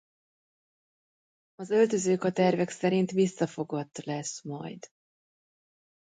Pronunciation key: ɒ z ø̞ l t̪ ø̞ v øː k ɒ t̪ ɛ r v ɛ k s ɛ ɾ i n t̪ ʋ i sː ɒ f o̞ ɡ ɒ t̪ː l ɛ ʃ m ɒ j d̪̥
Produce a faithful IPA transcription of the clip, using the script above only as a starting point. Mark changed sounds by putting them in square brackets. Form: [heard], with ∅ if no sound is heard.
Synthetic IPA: ɒ z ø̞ l t̪ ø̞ [z] øː k ɒ t̪ ɛ r v ɛ k s ɛ ɾ i n t̪ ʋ i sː ɒ f o̞ ɡ ɒ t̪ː l ɛ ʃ m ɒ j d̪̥